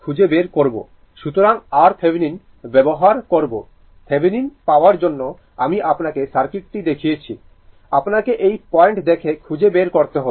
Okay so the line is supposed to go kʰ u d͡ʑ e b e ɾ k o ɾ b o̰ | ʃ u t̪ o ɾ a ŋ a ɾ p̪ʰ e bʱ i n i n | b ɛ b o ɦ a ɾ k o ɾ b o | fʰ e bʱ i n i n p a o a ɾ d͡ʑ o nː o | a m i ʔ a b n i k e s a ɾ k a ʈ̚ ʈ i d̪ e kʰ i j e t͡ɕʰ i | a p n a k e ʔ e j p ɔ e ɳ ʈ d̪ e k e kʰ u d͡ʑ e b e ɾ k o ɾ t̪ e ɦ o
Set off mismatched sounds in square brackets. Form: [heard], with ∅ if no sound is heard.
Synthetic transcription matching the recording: kʰ u d͡ʑ e b e ɾ k o ɾ b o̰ | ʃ u t̪ o ɾ a ŋ a ɾ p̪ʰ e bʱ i n i n | b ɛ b o ɦ a ɾ k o ɾ b o | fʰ e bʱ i n i n p a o a ɾ d͡ʑ o nː o | a m i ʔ a [p] n [a] k e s a ɾ k [i] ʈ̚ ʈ i d̪ e kʰ i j e t͡ɕʰ i | a p n a k e ʔ e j p ɔ e ɳ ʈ d̪ e [kʰ] e kʰ u d͡ʑ e b e ɾ k o ɾ t̪ e ɦ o

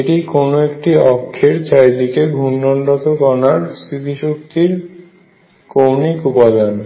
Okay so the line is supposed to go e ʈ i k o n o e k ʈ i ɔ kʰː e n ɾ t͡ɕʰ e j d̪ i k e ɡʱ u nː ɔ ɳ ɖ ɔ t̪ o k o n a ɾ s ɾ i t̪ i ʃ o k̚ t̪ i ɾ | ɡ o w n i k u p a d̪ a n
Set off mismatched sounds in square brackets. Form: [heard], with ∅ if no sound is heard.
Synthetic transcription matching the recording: e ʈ i k o n o e k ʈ i ɔ kʰː e [∅] ɾ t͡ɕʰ [a] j d̪ i k e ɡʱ u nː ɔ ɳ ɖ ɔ t̪ o k [ɔ] n a ɾ s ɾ i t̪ i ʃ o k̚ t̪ i ɾ | [k] o w n i k u p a d̪ a n

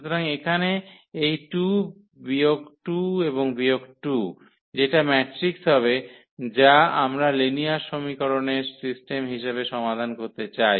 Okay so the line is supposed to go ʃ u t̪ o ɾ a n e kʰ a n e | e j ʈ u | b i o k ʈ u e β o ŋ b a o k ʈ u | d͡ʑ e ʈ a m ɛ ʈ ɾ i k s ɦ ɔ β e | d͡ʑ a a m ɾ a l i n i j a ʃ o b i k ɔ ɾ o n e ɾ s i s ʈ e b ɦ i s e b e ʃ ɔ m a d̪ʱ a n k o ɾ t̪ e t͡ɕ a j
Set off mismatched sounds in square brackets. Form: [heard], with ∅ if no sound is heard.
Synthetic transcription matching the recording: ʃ u t̪ o ɾ a [ŋ] e kʰ a n e | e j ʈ u | b i o k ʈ u e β o ŋ b [i] o k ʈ u | d͡ʑ e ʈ a m ɛ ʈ ɾ i k s ɦ ɔ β e | d͡ʑ a a m ɾ a l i n i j a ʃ o [m] i k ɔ ɾ o n e ɾ s i s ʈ e [m] ɦ i [ʃ] e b e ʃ ɔ m a d̪ʱ a n k o ɾ t̪ e t͡ɕ a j

